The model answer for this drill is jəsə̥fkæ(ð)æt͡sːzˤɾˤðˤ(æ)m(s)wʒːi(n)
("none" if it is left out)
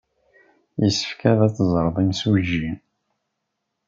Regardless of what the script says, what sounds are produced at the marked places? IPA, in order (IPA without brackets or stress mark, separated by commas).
ð, i, s, n